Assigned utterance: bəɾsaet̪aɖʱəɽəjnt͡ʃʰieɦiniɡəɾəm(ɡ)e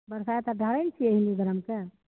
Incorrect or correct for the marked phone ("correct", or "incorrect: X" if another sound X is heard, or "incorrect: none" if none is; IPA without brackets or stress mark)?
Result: incorrect: k